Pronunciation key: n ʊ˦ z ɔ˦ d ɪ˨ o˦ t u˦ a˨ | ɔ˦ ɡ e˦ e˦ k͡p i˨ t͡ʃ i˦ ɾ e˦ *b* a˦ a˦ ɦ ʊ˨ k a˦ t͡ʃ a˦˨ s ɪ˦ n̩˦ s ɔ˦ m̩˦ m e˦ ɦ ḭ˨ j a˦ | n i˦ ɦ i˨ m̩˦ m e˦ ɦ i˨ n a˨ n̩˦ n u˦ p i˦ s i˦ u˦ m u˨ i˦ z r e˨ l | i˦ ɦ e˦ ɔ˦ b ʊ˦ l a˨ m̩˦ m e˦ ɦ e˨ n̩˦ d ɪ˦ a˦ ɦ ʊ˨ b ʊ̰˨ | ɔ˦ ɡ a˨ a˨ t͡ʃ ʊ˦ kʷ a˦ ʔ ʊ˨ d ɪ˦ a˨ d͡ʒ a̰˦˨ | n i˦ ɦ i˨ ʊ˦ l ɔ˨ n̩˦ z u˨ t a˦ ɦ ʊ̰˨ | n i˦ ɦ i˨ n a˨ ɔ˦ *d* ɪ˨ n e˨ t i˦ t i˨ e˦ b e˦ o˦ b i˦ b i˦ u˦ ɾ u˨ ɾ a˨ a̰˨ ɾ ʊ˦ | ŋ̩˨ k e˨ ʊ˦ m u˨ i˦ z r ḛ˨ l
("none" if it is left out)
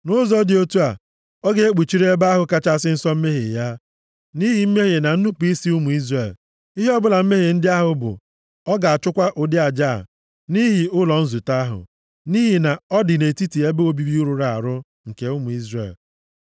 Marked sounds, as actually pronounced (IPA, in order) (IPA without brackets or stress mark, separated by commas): b, d